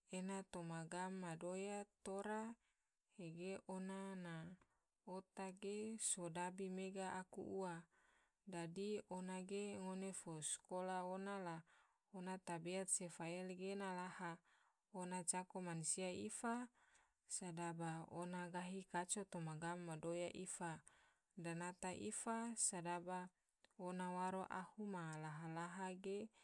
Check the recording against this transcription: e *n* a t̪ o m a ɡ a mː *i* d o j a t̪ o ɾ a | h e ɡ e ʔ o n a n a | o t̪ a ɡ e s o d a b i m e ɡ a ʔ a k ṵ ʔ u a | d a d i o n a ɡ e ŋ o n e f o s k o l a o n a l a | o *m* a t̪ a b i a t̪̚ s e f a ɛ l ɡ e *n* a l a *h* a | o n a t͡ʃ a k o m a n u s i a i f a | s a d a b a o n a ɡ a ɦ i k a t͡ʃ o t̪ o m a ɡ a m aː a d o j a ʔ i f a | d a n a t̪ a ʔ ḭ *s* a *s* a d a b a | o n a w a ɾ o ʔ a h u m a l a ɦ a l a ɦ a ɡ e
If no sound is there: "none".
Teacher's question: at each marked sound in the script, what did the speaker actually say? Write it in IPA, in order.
n, a, n, n, h, f, s

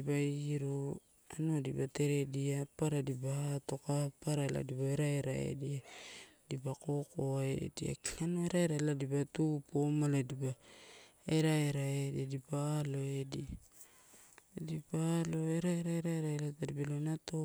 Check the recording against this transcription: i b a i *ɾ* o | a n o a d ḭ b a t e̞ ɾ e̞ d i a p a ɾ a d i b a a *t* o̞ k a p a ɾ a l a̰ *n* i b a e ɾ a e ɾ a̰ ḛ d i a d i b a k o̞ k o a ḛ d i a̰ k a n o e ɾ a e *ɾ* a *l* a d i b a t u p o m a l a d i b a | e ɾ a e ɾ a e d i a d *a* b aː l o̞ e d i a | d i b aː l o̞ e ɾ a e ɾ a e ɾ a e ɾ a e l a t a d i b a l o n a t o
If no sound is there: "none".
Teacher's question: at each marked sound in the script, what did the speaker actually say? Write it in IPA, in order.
ɾ, t, d, ɾ, l, i

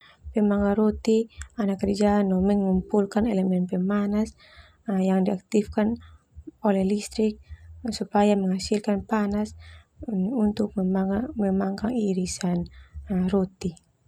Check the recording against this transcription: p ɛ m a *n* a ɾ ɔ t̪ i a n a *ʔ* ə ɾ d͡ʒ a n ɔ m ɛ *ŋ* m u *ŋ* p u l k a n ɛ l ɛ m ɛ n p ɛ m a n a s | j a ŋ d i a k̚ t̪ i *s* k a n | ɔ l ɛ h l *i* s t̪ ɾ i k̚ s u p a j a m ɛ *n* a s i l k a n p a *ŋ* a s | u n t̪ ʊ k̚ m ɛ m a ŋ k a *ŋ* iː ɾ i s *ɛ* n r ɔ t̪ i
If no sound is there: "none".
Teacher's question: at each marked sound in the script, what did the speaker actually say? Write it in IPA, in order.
ŋ, k, ŋ, m, f, i, ŋ, n, ŋ, a

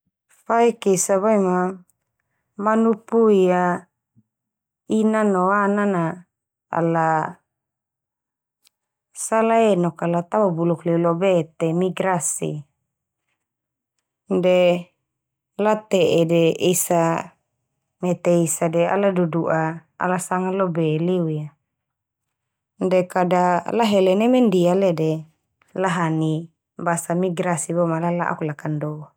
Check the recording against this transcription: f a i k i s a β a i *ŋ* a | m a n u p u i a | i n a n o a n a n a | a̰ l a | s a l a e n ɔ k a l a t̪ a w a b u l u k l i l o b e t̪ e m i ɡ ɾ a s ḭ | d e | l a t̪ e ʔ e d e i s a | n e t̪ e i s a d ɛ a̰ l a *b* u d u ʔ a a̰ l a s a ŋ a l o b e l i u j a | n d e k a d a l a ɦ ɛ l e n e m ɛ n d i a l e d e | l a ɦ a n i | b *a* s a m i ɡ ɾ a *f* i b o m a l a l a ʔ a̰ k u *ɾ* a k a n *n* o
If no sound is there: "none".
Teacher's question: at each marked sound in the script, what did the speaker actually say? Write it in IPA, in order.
m, d, a, s, l, d

